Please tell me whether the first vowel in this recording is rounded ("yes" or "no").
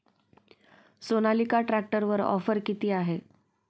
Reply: yes